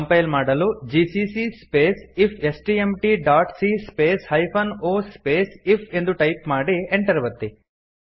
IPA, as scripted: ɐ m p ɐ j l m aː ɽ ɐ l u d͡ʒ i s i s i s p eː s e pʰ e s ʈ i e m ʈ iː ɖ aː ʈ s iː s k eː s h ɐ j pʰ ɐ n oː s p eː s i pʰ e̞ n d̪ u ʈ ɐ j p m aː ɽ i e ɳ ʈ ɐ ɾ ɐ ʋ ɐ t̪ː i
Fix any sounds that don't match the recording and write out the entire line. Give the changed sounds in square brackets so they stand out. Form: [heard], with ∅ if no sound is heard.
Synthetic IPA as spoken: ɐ m p ɐ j l m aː ɽ ɐ l u d͡ʒ i s i s i s p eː s [i] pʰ e s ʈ i e m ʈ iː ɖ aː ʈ s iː s [p] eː s h ɐ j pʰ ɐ n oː s p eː s i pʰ e̞ n d̪ u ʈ ɐ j p m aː ɽ i e ɳ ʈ ɐ ɾ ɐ ʋ ɐ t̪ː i